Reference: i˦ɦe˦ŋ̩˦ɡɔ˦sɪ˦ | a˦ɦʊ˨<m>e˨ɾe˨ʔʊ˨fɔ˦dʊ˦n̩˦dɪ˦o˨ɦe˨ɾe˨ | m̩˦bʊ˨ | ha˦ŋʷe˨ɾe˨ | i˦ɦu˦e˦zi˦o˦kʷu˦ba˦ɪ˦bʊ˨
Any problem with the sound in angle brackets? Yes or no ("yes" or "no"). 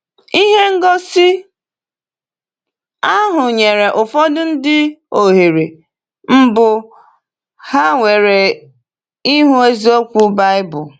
yes